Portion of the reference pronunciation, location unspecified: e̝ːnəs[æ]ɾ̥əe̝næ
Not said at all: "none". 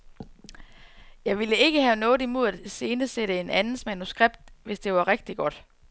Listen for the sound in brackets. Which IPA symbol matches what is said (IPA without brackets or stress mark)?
e